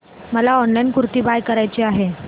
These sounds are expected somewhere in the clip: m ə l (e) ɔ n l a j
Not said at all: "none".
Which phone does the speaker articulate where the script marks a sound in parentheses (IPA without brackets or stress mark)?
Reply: a